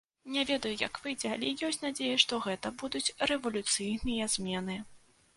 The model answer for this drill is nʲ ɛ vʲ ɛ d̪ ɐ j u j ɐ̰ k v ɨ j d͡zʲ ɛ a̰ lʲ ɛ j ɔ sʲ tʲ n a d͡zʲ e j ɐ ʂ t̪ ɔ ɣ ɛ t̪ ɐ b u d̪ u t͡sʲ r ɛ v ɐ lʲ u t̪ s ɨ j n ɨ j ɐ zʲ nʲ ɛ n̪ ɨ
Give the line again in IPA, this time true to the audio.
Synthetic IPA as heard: nʲ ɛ vʲ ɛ d̪ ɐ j u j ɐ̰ k v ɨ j d͡zʲ ɛ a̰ lʲ ɛ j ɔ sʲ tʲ n a d͡zʲ e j ɐ ʂ t̪ ɔ ɣ ɛ t̪ ɐ b u d̪ u t͡sʲ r ɛ v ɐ lʲ u t̪ s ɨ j n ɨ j ɐ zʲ mʲ ɛ n̪ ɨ